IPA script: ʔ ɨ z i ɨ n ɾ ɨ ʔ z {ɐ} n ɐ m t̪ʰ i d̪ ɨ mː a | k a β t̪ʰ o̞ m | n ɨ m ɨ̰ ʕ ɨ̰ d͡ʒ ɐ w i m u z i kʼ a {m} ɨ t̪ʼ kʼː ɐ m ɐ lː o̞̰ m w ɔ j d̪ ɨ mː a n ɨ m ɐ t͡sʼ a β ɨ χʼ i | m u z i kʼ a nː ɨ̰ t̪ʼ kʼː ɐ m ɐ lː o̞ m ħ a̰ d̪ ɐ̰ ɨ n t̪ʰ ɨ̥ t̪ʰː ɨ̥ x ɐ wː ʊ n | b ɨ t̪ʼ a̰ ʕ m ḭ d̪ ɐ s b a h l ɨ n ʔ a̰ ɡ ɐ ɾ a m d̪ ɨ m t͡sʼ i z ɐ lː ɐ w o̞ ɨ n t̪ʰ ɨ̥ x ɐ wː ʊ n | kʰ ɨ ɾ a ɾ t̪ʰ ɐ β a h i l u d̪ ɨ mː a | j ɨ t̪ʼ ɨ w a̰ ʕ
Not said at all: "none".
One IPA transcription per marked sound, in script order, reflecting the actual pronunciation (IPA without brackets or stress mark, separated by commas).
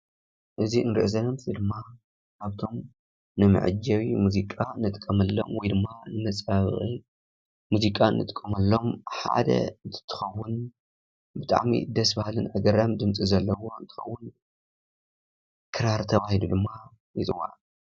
ɐ, n